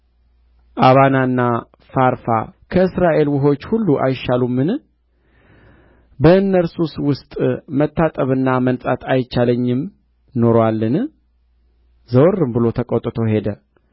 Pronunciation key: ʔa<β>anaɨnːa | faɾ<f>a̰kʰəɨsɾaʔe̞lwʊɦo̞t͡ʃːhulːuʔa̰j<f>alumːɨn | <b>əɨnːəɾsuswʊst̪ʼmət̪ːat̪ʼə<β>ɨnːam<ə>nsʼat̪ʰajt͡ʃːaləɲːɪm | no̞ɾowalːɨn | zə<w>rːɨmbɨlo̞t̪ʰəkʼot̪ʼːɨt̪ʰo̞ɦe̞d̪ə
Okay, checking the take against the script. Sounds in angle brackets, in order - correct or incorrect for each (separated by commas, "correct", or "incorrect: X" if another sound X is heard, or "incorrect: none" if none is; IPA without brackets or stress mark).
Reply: correct, correct, incorrect: ʃ, correct, correct, correct, correct